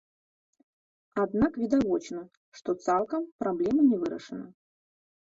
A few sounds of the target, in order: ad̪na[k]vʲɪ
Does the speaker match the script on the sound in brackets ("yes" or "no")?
yes